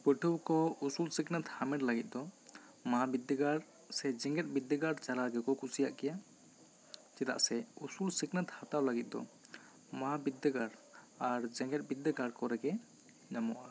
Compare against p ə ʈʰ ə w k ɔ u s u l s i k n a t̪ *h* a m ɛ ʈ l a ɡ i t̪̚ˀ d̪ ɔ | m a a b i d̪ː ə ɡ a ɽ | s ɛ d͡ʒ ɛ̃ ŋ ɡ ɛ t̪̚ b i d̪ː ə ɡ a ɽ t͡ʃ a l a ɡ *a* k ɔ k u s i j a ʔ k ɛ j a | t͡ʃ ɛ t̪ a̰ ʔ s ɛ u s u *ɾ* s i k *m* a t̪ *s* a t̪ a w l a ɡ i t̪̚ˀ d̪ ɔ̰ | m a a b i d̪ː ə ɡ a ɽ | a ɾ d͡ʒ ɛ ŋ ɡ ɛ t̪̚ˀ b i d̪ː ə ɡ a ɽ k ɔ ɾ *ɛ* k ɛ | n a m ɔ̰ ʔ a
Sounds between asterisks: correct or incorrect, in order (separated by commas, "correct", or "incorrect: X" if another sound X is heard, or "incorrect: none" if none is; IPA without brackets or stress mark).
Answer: correct, incorrect: ɛ, incorrect: l, incorrect: n, incorrect: h, correct